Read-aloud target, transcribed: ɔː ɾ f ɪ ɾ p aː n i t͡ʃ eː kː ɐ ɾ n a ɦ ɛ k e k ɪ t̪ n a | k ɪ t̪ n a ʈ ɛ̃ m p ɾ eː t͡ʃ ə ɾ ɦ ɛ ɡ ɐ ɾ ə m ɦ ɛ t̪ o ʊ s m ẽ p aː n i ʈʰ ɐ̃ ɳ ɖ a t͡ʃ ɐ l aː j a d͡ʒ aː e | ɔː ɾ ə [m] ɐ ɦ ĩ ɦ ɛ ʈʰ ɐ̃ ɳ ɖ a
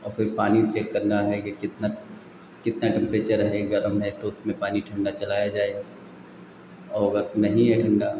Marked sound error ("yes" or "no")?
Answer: yes